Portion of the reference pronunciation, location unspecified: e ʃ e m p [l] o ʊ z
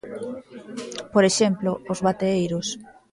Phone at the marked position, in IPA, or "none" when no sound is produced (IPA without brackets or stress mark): l